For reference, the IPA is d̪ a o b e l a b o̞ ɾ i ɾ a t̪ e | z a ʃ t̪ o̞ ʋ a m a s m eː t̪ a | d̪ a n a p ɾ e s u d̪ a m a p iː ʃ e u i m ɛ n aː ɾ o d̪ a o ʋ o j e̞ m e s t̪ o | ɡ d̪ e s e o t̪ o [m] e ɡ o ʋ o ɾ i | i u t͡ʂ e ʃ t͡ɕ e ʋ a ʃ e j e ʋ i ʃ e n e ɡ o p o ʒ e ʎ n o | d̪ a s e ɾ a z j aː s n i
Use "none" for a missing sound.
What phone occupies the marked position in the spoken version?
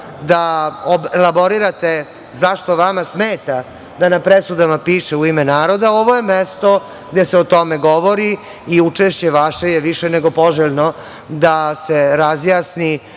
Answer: m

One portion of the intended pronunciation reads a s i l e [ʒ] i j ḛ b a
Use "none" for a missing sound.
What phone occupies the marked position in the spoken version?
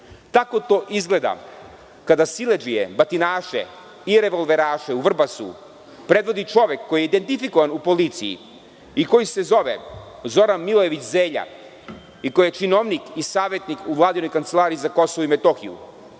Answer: d͡ʒ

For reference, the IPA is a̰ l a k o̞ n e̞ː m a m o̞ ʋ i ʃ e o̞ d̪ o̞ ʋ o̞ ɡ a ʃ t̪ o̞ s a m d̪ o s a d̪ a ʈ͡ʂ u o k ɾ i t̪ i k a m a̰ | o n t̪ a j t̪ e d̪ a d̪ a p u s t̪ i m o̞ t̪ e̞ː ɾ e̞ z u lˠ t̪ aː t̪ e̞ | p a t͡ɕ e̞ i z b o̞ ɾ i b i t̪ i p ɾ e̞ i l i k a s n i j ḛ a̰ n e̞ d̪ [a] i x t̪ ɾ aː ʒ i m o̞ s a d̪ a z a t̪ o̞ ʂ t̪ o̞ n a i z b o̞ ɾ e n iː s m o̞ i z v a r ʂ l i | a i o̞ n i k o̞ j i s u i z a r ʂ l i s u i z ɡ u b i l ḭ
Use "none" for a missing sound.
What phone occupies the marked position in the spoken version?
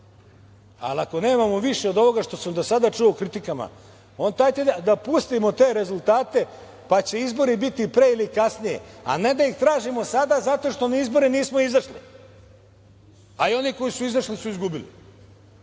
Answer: a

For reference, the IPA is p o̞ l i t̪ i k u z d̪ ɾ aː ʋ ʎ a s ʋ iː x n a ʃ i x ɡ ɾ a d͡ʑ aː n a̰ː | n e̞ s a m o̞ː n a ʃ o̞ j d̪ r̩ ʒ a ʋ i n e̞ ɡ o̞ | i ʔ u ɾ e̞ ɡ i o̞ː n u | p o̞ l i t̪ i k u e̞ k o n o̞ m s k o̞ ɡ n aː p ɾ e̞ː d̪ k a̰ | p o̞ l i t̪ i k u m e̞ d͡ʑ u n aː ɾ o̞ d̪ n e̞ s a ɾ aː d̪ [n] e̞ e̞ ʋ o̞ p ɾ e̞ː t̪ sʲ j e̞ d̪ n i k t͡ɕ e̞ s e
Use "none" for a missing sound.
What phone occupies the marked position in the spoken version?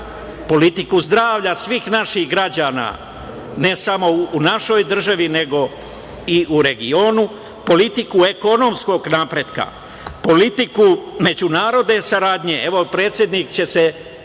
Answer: ɲ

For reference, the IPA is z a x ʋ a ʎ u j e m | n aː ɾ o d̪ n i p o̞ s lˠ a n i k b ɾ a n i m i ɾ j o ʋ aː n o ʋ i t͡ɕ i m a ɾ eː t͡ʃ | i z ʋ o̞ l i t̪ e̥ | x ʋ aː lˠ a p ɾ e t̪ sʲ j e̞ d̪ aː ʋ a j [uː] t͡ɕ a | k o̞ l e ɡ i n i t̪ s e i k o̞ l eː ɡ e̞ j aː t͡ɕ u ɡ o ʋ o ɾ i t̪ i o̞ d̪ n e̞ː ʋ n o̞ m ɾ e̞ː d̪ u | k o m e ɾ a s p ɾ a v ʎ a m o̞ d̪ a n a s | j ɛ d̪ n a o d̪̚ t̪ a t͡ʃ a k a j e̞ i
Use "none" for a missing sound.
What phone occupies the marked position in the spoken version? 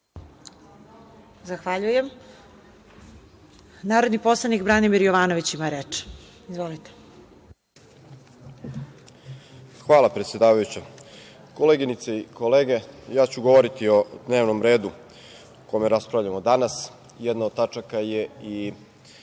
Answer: u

